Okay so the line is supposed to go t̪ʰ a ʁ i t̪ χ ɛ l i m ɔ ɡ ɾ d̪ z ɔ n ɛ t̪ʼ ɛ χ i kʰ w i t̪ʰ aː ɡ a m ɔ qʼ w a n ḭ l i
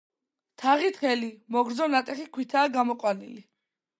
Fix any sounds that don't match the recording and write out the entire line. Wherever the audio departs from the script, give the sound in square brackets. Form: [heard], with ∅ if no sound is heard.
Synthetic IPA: t̪ʰ a ʁ i t̪ χ ɛ l i m ɔ ɡ ɾ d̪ z ɔ n [a] t̪ʼ ɛ χ i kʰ w i t̪ʰ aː ɡ a m ɔ qʼ w a n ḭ l i